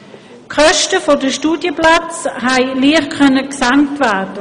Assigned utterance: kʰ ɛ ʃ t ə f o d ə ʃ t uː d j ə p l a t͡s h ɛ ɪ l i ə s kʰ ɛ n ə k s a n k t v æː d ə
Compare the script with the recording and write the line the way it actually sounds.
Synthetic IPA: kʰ œ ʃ t ə f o d ə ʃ t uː d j ə p l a t͡s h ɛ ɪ l i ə χ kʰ œ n ə k s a ŋ k t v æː d ə

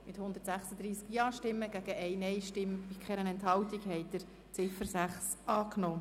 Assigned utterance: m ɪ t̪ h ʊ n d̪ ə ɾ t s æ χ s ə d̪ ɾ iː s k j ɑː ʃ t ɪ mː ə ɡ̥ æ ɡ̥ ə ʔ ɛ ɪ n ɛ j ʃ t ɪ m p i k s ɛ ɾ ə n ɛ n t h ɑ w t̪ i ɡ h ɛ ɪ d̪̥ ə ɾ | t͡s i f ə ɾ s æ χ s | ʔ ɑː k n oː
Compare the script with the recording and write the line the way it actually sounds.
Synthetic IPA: m ɪ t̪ h ʊ n d̪ ə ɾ t s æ χ s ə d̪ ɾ iː s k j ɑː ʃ t ɪ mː ə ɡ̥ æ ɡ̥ ə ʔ ɛ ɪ n ɛ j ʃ t ɪ m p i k χ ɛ ɾ ə n ɛ n t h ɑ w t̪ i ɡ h ɛ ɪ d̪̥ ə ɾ | t͡s ɪ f ə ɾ s æ χ s | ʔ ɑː k n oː

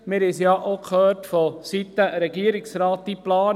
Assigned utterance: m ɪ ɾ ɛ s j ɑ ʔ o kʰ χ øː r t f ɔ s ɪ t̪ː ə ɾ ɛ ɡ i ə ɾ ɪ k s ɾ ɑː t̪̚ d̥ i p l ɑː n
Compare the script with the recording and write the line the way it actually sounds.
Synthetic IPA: m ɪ ɾ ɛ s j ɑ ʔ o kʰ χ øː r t f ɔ s i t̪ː ə ɾ ɛ ɡ i ə ɾ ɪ k s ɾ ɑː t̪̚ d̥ i p l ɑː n

